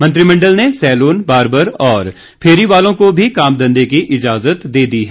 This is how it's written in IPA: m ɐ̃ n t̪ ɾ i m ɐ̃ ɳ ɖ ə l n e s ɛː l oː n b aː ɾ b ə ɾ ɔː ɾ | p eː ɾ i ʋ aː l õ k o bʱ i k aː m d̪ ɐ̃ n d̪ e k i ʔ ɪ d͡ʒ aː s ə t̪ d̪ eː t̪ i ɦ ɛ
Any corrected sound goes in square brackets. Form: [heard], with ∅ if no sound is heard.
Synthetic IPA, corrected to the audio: m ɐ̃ n t̪ ɾ i m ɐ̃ ɳ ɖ ə l n e s ɛː l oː n b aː ɾ b ə ɾ ɔː ɾ | [pʰ] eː ɾ i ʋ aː l õ k o bʱ i k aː m d̪ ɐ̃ n d̪ e k i ʔ ɪ d͡ʒ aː [z] ə t̪ d̪ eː [d̪] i ɦ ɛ